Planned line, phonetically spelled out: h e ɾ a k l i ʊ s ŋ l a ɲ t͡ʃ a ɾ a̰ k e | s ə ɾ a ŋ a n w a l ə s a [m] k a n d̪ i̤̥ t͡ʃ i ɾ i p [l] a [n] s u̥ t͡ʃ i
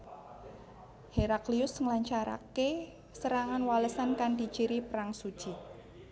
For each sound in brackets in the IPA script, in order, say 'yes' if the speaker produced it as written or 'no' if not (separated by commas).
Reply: no, no, no